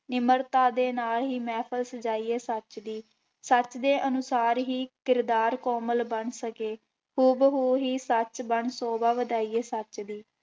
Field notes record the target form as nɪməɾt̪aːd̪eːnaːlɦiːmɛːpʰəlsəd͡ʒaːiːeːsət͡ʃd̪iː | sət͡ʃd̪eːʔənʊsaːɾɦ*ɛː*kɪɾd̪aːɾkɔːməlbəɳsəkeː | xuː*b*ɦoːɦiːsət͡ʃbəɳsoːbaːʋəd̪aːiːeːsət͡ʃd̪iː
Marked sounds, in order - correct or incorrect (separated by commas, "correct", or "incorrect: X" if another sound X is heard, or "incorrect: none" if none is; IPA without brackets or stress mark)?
incorrect: iː, correct